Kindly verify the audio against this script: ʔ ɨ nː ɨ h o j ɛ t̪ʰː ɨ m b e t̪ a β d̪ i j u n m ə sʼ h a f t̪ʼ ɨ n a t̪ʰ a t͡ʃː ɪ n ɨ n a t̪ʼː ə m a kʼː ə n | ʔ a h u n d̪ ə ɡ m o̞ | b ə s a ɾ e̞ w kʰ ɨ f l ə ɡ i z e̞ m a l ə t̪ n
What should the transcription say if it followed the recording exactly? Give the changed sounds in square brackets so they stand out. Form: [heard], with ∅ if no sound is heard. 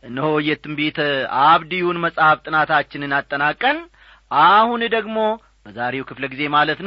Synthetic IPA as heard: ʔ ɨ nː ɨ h o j ɛ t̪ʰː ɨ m b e t̪ a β d̪ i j u n m ə sʼ h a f t̪ʼ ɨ n a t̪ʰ a t͡ʃː ɪ n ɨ n a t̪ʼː ə [n] a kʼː ə n | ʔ a h u n d̪ ə ɡ m o̞ | b ə [z] a ɾ e̞ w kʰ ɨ f l ə ɡ i z e̞ m a l ə t̪ n